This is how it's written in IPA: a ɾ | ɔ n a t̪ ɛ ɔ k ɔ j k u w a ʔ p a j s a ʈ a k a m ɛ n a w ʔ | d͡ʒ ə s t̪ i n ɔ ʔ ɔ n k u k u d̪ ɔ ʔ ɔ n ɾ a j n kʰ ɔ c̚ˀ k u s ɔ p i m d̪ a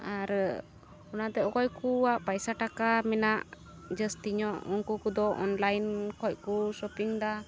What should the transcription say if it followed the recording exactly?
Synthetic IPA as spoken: a ɾ | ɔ n a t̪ ɛ ɔ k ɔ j k u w a ʔ p a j s a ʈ a k a m ɛ n a ʔ | d͡ʒ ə s t̪ i ɲ ɔ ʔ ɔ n k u k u d̪ ɔ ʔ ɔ n l a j n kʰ ɔ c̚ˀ k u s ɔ p i ŋ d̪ a